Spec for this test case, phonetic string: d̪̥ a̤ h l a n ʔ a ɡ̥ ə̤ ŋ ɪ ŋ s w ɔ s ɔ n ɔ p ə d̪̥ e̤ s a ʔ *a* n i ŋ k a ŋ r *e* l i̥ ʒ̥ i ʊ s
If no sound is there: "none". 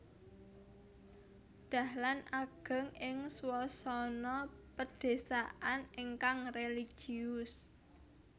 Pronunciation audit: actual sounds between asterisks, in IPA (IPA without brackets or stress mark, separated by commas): a, e